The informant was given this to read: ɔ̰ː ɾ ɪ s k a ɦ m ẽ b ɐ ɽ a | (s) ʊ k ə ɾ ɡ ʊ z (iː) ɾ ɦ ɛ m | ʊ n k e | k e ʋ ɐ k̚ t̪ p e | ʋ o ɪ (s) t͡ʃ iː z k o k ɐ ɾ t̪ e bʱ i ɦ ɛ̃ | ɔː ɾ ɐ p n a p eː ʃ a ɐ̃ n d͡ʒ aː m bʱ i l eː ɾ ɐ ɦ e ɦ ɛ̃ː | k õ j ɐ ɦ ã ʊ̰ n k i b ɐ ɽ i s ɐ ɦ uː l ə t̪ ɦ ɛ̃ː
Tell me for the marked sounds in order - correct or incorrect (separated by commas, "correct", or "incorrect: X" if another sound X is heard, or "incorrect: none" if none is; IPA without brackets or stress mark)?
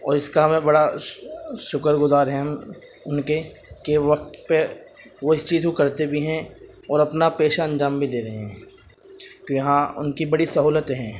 incorrect: ʃ, incorrect: aː, correct